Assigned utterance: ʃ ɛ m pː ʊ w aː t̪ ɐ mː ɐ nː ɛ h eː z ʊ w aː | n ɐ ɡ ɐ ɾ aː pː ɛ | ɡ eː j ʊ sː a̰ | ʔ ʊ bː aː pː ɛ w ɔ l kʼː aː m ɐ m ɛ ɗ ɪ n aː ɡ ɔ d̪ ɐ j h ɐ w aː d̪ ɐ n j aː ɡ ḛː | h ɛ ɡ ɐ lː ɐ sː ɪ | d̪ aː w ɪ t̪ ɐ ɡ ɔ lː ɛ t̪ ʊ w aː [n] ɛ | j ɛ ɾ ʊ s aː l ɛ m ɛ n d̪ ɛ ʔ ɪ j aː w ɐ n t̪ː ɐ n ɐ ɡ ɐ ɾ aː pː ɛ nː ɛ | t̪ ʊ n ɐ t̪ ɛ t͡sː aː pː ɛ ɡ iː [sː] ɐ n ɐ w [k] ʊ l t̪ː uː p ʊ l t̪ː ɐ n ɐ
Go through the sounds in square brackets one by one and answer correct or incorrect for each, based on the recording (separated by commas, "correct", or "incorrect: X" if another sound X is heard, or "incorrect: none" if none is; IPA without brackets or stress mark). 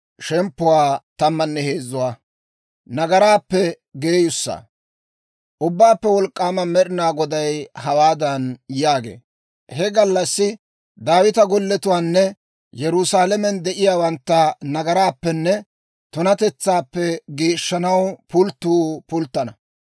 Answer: incorrect: nː, incorrect: ʃː, incorrect: p